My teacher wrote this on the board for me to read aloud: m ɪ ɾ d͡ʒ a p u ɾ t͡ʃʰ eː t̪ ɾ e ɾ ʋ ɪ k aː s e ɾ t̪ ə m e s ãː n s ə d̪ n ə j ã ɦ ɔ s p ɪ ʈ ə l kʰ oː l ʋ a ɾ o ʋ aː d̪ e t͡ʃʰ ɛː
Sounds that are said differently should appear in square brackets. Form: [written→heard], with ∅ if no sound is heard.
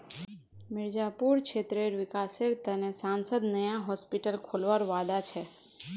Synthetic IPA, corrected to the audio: m ɪ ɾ d͡ʒ a p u ɾ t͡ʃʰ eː t̪ ɾ e ɾ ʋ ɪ k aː s e ɾ t̪ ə [m→n] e s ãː n s ə d̪ n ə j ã ɦ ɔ s p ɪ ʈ ə l kʰ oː l ʋ a ɾ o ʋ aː d̪ [e→a] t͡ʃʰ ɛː